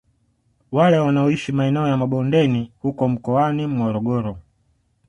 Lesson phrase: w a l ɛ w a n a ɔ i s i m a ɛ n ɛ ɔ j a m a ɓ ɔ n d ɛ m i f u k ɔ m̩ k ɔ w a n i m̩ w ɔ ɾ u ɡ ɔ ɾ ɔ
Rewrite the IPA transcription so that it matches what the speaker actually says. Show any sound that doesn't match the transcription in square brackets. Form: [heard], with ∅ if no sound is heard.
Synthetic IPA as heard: w a l ɛ w a n a ɔ i [ʃ] i m a ɛ n ɛ ɔ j a m a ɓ ɔ n d ɛ [n] i [h] u k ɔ m̩ k ɔ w a n i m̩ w ɔ ɾ [ɔ] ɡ ɔ ɾ ɔ